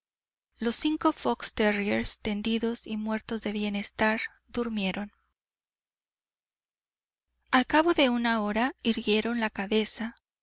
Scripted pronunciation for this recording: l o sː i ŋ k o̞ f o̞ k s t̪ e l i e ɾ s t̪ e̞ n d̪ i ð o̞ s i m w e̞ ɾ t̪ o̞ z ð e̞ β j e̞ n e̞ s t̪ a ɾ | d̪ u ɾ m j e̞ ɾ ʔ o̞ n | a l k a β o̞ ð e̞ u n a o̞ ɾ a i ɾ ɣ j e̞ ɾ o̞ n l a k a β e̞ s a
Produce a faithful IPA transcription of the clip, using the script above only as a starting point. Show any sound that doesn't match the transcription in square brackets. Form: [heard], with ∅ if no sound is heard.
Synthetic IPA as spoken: l o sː i ŋ k o̞ f o̞ k s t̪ e [r] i e ɾ s t̪ e̞ n d̪ i ð o̞ s i m w e̞ ɾ t̪ o̞ z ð e̞ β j e̞ n e̞ s t̪ a ɾ | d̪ u ɾ m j e̞ ɾ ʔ o̞ n | a l k a β o̞ ð e̞ u n a o̞ ɾ a i ɾ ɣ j e̞ ɾ o̞ n l a k a β e̞ s a